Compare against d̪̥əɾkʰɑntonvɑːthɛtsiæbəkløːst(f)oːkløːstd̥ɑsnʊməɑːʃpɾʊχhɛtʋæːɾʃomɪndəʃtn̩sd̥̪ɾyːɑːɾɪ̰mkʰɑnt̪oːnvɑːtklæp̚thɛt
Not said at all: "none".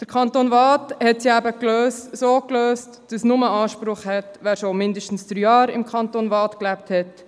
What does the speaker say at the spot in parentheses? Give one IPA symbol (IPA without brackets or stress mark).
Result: s